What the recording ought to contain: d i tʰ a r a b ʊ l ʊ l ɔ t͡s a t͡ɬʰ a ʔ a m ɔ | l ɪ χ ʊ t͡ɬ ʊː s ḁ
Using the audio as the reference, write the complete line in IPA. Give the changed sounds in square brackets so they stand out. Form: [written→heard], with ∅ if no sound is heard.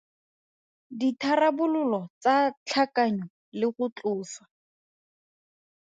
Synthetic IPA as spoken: d i tʰ a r a b ʊ l ʊ l ɔ t͡s a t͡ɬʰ a [ʔ→k] a [m→ɲ] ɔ | l ɪ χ ʊ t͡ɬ ʊː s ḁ